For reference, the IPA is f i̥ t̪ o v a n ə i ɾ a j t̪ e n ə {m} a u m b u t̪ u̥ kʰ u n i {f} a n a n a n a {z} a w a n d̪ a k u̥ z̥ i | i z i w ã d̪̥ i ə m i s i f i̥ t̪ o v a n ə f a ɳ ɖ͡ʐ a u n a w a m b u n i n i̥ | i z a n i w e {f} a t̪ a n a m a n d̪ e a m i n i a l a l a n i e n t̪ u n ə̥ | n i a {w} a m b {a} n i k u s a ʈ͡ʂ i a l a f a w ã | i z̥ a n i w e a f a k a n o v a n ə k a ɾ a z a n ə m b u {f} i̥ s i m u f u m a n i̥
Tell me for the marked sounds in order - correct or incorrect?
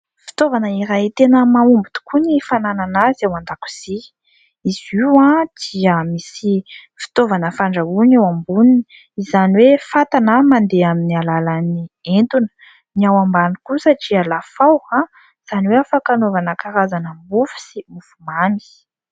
correct, correct, correct, correct, correct, correct, correct

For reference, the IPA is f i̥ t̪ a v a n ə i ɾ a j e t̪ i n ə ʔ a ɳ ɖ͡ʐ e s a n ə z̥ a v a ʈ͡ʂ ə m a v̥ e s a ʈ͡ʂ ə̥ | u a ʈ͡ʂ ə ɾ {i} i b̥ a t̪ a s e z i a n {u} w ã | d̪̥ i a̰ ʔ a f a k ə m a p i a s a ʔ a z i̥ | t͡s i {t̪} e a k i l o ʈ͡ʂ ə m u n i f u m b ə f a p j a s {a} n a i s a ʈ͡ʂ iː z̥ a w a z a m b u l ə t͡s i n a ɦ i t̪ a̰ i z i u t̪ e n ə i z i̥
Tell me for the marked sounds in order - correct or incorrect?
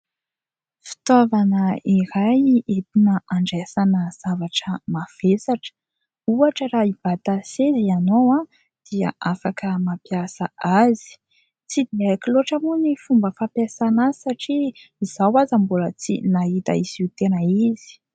incorrect, incorrect, incorrect, correct

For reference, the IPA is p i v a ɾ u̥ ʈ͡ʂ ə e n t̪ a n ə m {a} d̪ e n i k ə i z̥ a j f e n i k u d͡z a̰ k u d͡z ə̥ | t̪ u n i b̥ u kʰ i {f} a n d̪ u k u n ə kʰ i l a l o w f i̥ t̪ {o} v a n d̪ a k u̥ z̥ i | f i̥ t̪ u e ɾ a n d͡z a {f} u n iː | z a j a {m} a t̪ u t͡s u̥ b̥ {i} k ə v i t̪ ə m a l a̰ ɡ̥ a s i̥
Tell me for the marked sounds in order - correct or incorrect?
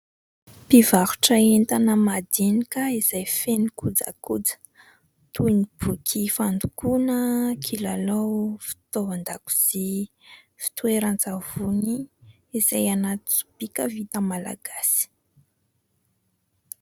correct, correct, correct, incorrect, incorrect, correct

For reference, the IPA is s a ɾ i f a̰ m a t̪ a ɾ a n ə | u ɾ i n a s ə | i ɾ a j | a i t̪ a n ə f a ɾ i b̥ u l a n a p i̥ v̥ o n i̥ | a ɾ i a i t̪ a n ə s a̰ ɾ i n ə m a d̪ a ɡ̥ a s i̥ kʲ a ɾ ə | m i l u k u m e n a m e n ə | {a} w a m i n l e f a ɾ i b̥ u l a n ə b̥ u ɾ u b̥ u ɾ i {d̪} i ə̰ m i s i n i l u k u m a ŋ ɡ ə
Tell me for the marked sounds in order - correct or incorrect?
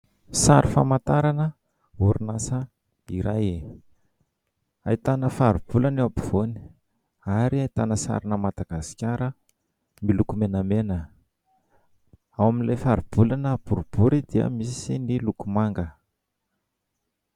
correct, correct

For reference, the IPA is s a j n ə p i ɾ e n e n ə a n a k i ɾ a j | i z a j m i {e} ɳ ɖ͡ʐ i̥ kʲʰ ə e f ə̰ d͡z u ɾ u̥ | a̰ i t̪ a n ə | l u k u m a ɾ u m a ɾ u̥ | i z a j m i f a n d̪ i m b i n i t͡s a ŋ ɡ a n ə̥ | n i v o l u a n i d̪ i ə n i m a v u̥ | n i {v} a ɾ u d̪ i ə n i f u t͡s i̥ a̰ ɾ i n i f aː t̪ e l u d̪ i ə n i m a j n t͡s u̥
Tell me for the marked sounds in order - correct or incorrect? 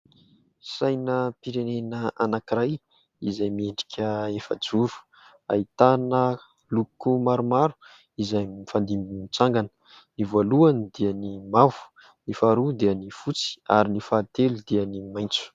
correct, incorrect

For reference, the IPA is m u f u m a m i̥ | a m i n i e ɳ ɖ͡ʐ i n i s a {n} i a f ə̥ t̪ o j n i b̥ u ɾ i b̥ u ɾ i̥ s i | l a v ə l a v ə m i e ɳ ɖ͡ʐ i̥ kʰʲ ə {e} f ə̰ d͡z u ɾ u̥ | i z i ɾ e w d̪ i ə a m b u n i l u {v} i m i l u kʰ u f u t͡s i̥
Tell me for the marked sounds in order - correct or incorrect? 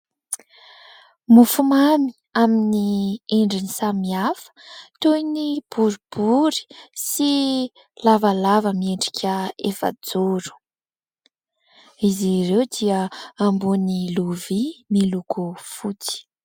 incorrect, correct, correct

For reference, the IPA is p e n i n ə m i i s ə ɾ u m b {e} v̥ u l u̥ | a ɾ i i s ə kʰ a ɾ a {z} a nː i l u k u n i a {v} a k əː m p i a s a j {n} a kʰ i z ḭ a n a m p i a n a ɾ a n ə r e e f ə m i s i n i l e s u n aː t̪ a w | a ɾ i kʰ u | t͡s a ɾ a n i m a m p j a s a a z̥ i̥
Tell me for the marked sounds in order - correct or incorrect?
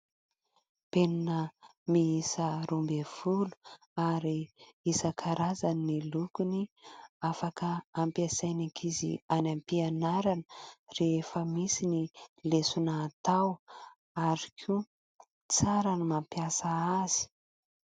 correct, correct, incorrect, correct

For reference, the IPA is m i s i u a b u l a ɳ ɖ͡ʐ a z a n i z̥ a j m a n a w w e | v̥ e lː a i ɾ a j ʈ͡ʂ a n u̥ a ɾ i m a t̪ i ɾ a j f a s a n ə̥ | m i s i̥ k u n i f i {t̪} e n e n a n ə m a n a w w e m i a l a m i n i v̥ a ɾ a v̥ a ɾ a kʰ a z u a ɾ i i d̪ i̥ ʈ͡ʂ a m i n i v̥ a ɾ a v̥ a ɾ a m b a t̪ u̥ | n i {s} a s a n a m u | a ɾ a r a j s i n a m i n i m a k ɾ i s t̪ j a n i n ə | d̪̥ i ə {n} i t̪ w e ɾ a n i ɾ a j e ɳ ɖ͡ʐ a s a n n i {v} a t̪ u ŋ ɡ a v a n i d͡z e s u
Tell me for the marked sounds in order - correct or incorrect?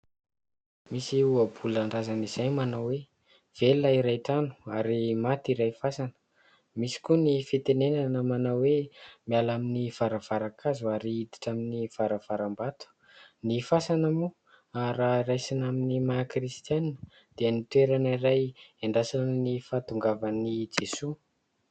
correct, incorrect, correct, incorrect

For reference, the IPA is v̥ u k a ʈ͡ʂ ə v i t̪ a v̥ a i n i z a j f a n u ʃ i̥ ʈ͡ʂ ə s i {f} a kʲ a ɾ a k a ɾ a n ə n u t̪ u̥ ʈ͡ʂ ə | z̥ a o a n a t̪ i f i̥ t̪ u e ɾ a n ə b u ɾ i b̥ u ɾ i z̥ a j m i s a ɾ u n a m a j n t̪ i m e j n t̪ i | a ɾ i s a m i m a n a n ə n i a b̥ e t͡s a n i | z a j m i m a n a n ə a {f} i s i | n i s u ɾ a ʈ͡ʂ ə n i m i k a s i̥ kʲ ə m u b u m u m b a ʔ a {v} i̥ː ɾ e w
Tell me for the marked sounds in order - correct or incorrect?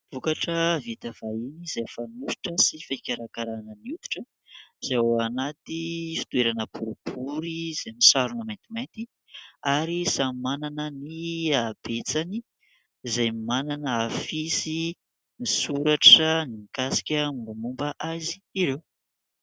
correct, correct, incorrect

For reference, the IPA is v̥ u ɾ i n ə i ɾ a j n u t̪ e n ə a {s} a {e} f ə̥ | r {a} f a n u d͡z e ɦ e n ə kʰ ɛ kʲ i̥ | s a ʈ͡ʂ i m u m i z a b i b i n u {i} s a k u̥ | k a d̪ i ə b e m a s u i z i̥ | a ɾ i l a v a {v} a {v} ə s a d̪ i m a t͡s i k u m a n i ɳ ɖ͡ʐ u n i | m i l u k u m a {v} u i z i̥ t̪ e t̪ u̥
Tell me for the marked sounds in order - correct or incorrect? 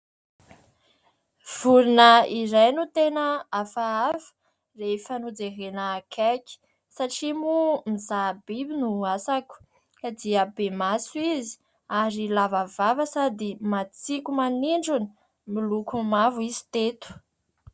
incorrect, incorrect, incorrect, incorrect, correct, correct, correct

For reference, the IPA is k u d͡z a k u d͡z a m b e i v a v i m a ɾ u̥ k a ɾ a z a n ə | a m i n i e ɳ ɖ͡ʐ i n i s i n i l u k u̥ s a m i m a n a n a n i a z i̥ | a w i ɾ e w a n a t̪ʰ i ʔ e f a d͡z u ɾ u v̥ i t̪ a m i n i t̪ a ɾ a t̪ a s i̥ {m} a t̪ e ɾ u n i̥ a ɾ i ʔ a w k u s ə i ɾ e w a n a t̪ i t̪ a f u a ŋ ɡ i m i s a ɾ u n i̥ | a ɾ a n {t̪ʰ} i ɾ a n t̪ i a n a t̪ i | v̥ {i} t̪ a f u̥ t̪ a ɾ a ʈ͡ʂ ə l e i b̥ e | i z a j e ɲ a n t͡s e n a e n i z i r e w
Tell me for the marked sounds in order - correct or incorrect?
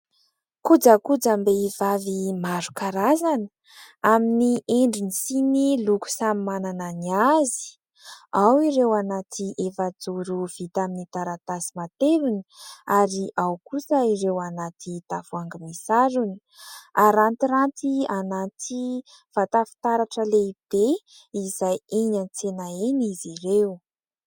correct, incorrect, incorrect

